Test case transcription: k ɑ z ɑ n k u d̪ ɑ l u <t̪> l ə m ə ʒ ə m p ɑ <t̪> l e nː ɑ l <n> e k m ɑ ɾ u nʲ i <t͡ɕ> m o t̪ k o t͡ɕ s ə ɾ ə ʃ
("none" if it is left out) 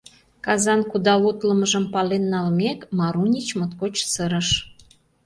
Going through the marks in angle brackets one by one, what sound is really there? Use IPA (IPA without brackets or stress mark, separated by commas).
t̪, none, m, t͡ɕ